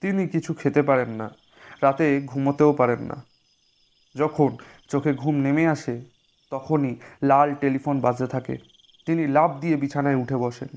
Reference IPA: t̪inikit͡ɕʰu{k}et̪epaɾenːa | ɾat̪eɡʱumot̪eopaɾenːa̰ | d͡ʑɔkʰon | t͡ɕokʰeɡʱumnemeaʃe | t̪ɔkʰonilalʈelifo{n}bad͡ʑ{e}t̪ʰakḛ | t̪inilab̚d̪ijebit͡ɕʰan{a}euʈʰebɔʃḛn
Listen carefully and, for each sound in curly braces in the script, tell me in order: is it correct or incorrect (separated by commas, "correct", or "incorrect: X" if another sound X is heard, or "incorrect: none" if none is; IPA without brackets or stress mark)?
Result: incorrect: kʰ, correct, correct, correct